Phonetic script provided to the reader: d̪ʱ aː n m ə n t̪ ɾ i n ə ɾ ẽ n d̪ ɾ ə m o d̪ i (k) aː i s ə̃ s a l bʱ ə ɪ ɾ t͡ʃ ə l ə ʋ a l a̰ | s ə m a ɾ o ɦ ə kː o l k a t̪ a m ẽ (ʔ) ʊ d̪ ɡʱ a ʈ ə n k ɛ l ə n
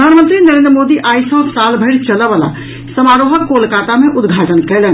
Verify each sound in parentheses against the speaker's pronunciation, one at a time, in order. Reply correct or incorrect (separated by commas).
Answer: incorrect, correct